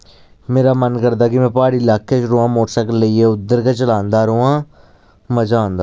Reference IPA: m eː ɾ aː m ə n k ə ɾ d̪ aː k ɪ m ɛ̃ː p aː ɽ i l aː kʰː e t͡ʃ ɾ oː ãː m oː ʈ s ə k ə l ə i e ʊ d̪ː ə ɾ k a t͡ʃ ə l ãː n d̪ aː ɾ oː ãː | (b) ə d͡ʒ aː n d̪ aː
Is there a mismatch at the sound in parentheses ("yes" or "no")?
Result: yes